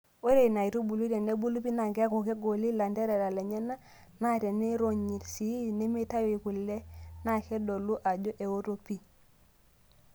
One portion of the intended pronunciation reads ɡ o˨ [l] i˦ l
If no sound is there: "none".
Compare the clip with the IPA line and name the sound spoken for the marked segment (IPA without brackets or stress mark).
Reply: l